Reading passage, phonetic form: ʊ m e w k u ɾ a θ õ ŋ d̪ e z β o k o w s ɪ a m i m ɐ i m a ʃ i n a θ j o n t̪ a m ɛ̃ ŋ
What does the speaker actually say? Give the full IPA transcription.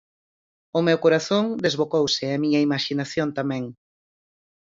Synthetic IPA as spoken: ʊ m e w k o ɾ a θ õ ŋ d̪ e z β o k o w s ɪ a m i ɲ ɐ i m a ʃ i n a θ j o n t̪ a m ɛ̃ ŋ